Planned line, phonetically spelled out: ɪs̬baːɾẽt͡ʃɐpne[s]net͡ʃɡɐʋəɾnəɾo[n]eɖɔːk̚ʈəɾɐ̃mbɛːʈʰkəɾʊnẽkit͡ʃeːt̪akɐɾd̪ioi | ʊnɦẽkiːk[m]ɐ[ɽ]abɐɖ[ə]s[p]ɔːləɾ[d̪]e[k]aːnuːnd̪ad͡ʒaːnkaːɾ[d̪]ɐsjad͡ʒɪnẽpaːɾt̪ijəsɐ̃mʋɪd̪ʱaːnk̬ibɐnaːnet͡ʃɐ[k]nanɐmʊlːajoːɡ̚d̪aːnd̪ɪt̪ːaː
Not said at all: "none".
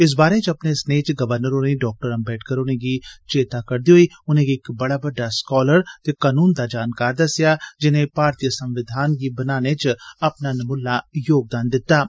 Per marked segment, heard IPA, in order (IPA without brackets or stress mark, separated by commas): s, n, b, ɽ, a, k, t̪, k, d̪, p